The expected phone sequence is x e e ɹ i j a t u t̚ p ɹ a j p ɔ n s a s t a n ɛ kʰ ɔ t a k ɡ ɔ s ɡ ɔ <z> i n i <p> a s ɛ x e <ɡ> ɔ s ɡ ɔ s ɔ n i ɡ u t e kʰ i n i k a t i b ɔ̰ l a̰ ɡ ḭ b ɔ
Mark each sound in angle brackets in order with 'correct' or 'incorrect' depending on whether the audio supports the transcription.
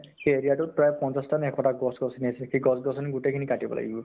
incorrect: s, incorrect: none, correct

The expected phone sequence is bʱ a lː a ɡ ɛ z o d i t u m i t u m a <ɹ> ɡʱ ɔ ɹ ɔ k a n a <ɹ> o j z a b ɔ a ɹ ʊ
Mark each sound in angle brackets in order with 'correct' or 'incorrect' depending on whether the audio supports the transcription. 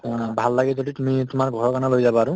correct, incorrect: l

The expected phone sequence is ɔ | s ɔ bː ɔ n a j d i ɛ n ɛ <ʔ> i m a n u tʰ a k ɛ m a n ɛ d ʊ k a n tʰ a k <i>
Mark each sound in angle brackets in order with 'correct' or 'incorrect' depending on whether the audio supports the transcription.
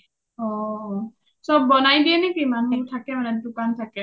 incorrect: k, incorrect: ɛ

